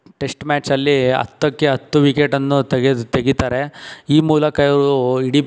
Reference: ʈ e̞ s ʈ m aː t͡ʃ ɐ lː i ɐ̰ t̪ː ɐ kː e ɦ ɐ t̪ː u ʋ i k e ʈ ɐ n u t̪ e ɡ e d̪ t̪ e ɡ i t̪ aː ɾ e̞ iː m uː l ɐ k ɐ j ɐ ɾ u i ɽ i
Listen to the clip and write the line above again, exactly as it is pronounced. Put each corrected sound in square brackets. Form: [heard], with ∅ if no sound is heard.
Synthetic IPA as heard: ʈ e̞ s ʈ m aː t͡ʃ ɐ lː i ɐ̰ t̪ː ɐ kː e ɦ ɐ t̪ː u ʋ i k e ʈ ɐ [nː] u t̪ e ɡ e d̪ t̪ e ɡ i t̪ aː ɾ e̞ iː m uː l ɐ k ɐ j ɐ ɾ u i ɽ i

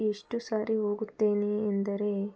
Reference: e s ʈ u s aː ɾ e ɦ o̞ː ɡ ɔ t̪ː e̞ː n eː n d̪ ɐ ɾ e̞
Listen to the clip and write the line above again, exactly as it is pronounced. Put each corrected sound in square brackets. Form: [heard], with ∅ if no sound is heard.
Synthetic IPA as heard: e [ʂ] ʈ u s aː ɾ [i] ɦ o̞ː ɡ [u] t̪ː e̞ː n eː n d̪ ɐ ɾ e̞

